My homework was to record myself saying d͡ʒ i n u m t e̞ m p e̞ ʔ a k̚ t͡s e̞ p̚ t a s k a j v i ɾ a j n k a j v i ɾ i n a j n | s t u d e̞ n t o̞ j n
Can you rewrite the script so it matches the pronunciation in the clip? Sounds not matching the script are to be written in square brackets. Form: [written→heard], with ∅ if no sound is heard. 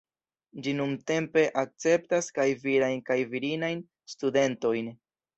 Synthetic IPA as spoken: d͡ʒ i n u m t e̞ m p e̞ ʔ a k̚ t͡s e̞ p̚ t a s k a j v i ɾ a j n k a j v i ɾ i n a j n | s t u d e̞ n t o̞ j n